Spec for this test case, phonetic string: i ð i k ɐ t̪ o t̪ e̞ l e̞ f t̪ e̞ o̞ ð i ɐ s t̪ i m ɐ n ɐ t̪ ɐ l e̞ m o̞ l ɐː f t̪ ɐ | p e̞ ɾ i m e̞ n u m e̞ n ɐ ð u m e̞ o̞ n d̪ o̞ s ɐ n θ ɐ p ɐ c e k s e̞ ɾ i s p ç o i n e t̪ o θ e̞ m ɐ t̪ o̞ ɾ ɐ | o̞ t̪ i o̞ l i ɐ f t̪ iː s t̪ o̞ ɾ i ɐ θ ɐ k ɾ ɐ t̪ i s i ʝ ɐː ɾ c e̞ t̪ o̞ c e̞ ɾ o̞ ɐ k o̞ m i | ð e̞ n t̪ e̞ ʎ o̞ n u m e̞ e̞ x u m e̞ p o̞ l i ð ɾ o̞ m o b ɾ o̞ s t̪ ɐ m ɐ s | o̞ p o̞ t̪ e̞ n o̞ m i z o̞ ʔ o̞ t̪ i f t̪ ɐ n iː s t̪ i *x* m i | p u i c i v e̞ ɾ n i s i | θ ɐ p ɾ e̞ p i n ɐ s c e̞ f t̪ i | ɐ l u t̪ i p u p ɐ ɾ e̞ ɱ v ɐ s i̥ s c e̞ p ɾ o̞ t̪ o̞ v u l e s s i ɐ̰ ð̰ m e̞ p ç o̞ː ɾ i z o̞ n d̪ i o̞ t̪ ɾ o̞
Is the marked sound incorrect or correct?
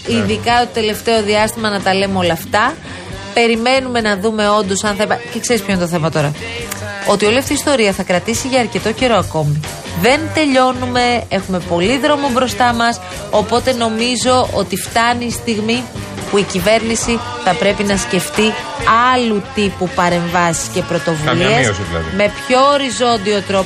incorrect